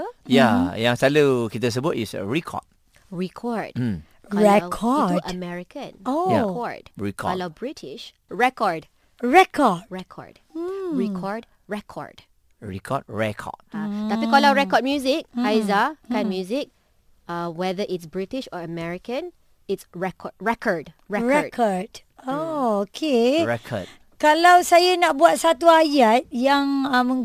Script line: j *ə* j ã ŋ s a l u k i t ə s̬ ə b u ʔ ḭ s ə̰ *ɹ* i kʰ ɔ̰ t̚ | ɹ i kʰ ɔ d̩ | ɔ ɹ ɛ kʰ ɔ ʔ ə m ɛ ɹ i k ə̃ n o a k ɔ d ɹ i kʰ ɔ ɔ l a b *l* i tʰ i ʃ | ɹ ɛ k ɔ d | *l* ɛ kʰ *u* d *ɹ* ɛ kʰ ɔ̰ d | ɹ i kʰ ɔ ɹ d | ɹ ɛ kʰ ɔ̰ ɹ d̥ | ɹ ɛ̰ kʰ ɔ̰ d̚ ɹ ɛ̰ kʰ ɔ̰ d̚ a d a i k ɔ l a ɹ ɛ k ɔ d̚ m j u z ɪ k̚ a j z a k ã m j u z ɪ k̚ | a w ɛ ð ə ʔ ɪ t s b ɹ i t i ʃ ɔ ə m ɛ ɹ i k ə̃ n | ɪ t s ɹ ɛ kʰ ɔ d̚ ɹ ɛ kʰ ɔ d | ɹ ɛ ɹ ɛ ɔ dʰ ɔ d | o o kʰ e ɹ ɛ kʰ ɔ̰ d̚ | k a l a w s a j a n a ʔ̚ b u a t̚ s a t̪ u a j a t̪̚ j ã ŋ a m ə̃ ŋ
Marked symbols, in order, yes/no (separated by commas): no, yes, no, no, no, yes